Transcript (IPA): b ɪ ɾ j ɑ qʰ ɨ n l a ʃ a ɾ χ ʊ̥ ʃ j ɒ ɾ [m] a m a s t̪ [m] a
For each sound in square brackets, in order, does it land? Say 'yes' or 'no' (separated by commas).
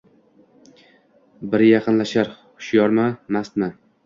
yes, yes